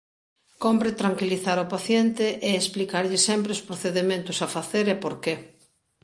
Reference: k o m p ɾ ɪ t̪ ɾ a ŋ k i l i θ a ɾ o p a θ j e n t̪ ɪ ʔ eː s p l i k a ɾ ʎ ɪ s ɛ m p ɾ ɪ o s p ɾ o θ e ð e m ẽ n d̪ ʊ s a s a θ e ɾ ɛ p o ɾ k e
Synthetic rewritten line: k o m p ɾ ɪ t̪ ɾ a ŋ k i l i θ a ɾ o p a θ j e n t̪ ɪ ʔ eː s p l i k a ɾ ʎ ɪ s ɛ m p ɾ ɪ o s p ɾ o θ e ð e m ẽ n t̪ ʊ s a f a θ e ɾ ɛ p o ɾ k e